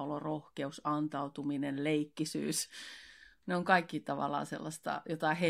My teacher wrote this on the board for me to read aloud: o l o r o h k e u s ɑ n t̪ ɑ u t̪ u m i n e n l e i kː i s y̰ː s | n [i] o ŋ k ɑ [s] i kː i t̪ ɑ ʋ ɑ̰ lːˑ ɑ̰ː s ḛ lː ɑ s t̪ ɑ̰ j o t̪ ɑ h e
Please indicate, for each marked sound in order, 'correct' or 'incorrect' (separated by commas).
incorrect, incorrect